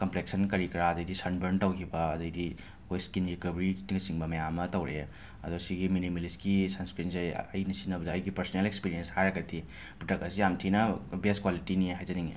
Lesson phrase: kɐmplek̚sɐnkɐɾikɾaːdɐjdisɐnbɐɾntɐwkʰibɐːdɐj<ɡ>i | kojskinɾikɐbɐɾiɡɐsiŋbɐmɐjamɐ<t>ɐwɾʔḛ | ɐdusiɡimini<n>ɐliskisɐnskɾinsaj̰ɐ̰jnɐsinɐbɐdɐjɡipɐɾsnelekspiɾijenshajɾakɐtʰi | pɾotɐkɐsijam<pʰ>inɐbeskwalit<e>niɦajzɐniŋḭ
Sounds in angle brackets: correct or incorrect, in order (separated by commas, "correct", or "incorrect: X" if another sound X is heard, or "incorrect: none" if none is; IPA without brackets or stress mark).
incorrect: d, correct, incorrect: m, incorrect: tʰ, incorrect: i